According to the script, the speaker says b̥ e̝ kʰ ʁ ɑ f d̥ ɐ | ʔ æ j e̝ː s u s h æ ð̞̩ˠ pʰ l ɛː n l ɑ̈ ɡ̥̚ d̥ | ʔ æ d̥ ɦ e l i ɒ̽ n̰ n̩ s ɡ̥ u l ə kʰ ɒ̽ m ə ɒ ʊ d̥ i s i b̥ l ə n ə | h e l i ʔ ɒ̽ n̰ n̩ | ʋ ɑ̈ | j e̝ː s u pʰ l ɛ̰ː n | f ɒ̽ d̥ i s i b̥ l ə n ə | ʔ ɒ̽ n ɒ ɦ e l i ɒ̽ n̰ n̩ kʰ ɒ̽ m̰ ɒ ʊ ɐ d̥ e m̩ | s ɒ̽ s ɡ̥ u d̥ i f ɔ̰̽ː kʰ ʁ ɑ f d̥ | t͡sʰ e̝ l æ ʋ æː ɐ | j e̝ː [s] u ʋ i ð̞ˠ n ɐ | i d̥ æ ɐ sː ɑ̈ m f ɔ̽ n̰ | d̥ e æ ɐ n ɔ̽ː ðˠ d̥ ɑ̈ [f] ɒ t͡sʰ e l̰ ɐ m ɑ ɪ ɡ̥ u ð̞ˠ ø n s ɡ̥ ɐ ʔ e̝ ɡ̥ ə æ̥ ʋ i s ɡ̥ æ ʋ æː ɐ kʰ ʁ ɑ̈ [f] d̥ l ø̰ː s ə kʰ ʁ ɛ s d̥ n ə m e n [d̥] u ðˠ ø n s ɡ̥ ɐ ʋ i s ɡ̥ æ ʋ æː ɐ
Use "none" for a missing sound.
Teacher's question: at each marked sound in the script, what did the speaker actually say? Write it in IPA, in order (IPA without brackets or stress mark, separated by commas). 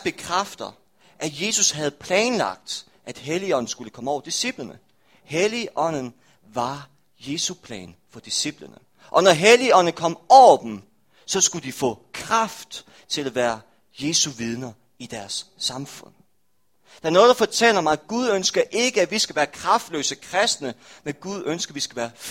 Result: s, f, f, ɡ̥